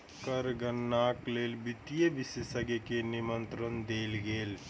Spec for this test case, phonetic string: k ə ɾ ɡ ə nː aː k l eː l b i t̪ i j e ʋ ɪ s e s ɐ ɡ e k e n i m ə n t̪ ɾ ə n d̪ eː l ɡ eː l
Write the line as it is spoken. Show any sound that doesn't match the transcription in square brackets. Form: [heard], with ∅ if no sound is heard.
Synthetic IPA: k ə ɾ ɡ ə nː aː k l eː l b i t̪ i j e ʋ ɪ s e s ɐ ɡ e k e n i m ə n t̪ ɾ ə n d̪ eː l ɡ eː l